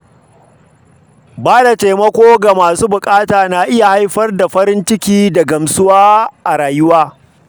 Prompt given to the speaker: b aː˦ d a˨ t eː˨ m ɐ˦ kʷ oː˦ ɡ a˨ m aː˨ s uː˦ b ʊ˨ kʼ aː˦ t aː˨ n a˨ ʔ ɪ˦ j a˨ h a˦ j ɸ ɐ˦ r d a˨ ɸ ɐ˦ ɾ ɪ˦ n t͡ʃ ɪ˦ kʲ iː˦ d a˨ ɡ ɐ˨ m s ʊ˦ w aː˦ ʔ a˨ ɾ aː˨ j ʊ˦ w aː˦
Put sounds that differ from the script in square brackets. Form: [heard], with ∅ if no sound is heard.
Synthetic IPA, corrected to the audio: b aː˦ d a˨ t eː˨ m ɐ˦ kʷ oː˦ ɡ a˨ m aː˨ s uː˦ b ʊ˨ kʼ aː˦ t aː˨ n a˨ ʔ ɪ˦ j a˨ h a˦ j ɸ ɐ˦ r d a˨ ɸ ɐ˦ ɾ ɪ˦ n t͡ʃ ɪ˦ kʲ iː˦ d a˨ ɡ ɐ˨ m s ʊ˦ w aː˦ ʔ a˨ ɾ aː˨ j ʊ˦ w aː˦